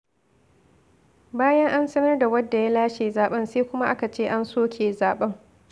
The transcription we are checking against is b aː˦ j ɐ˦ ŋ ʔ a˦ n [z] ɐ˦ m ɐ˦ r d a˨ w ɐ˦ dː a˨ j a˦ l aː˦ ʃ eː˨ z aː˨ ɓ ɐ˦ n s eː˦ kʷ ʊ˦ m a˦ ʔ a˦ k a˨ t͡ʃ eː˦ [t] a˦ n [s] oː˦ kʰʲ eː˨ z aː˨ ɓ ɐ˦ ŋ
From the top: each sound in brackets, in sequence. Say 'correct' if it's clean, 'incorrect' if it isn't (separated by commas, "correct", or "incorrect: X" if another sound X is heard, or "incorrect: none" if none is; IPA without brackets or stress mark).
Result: incorrect: s, incorrect: ʔ, correct